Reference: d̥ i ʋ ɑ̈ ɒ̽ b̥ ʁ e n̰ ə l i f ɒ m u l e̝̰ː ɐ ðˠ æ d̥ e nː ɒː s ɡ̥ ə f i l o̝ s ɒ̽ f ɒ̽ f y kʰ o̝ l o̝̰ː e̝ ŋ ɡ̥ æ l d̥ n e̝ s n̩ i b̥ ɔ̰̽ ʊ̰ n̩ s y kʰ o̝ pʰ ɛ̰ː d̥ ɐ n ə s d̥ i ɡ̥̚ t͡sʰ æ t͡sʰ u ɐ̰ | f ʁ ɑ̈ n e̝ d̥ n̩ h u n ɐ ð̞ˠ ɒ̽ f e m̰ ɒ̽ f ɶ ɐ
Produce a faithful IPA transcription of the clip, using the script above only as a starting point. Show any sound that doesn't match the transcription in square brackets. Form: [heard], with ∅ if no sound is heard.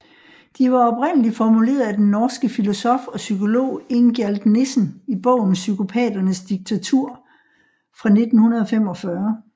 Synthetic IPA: d̥ i ʋ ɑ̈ ɒ̽ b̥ ʁ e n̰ ə l i f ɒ m u l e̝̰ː ɐ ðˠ æ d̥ e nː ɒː s ɡ̥ ə f i l o̝ s ɒ̽ f ɒ̽ [s] y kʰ o̝ l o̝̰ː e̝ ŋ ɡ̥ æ l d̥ n e̝ s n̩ i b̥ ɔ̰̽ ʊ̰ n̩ s y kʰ o̝ pʰ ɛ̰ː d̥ ɐ n ə s d̥ i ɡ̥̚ t͡sʰ æ t͡sʰ u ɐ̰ | f ʁ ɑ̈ n e̝ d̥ n̩ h u n ɐ ð̞ˠ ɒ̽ f e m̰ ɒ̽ f ɶ ɐ